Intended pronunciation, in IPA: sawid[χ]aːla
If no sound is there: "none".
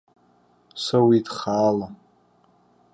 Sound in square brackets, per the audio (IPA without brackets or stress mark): χ